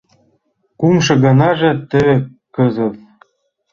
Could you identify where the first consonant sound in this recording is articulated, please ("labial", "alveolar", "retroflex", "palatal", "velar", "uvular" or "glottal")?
velar